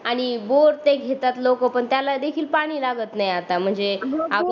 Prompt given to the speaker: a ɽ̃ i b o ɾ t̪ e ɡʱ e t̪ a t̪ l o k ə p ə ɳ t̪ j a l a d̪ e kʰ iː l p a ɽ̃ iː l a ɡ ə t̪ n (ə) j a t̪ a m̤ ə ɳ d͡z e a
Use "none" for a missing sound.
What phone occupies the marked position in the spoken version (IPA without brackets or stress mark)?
a